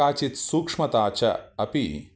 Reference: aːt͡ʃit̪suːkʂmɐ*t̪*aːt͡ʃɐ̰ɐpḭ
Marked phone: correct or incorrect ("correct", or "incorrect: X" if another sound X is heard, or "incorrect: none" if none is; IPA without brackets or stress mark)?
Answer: correct